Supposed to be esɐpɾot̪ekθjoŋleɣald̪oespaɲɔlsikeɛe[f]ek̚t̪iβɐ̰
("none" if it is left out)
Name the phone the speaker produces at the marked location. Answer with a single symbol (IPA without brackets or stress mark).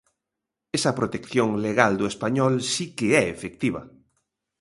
f